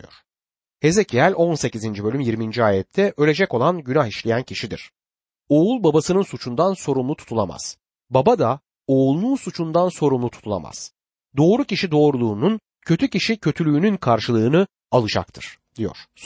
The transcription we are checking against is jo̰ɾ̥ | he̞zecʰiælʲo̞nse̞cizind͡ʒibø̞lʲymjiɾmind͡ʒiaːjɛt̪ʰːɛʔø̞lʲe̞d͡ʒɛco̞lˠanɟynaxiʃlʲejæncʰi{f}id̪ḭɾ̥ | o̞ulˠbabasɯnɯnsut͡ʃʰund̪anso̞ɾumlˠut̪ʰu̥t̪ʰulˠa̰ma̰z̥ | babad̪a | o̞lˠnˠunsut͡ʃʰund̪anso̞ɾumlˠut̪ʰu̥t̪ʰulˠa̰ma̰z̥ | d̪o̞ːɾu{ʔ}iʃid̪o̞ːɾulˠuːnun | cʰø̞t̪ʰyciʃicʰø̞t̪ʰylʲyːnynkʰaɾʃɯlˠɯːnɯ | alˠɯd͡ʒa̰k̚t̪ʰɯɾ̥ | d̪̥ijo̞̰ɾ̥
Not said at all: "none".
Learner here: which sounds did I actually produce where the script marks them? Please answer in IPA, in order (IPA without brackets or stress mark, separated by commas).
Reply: ʃ, c